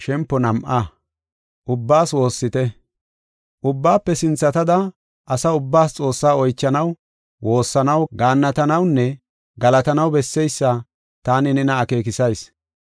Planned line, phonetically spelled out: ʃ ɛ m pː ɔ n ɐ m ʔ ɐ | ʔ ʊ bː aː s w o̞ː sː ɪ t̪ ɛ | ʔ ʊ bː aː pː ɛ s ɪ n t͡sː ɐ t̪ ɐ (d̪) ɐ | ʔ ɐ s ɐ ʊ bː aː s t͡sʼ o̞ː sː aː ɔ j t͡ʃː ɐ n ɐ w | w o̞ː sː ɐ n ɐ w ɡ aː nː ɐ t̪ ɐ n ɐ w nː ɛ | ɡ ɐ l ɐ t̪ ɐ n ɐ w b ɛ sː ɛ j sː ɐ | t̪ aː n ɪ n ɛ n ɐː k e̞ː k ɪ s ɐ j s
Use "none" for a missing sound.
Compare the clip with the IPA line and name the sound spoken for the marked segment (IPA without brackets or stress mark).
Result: d̪